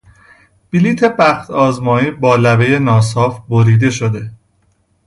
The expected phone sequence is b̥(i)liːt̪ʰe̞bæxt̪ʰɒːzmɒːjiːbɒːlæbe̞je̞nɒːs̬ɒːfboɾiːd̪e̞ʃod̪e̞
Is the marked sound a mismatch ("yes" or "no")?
no